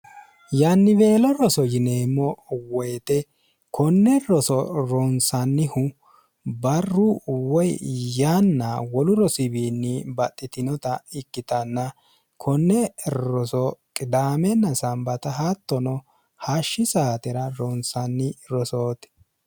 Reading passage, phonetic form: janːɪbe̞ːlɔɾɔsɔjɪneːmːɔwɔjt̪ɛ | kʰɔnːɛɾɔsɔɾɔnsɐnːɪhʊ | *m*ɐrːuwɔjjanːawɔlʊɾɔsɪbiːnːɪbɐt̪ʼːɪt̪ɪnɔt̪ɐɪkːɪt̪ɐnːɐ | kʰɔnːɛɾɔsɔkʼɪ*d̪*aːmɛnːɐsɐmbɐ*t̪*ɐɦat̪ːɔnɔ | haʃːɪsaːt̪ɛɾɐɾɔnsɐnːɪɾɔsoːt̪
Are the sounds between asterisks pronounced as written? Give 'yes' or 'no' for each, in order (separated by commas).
no, yes, yes